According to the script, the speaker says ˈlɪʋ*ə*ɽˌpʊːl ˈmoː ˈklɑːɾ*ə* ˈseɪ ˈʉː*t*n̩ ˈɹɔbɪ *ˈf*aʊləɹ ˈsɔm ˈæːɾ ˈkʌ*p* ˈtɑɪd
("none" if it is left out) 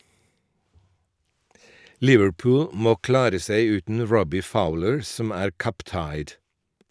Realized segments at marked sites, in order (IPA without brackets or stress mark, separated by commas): ə, ə, t, f, p